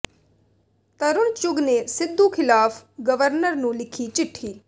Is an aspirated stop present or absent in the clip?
present